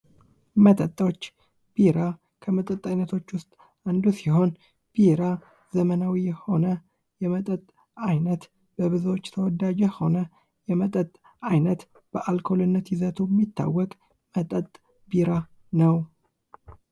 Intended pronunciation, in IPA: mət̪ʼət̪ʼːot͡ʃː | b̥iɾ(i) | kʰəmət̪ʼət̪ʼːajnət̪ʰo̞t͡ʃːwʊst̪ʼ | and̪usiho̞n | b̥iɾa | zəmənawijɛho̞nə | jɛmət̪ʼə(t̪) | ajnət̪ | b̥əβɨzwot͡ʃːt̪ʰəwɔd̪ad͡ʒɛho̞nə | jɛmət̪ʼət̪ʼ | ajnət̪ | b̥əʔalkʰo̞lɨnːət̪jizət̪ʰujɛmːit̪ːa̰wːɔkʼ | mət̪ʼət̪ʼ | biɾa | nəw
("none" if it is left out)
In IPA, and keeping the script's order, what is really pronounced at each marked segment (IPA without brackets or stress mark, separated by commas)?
a, t̪ʼ